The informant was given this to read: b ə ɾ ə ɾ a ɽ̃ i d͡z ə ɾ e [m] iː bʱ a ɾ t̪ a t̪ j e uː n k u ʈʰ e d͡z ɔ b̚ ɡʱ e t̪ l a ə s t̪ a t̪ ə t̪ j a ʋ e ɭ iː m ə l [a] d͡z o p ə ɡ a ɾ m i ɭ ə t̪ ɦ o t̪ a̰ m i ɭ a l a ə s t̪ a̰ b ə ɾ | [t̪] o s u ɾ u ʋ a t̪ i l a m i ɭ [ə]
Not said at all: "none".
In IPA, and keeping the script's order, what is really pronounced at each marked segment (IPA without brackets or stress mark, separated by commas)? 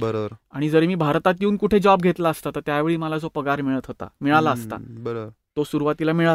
m, a, t̪, a